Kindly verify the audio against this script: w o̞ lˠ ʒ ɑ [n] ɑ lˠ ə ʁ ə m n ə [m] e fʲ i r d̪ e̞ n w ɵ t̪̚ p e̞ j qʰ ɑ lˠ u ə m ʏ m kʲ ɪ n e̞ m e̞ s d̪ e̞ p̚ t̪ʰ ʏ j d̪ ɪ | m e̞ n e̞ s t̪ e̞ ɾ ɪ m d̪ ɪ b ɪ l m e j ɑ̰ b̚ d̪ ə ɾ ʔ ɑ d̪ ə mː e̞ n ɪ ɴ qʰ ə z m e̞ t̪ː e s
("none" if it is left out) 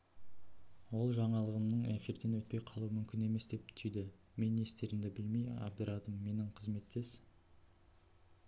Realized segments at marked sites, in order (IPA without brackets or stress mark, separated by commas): ɴ, ɴ